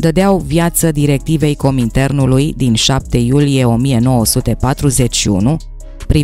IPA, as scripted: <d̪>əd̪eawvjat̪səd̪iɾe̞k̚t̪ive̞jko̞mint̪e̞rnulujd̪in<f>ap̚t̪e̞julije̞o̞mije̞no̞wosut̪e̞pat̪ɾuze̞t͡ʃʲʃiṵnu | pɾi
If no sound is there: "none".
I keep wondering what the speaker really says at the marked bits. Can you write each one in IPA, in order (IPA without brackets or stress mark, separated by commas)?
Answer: d̪, ʃ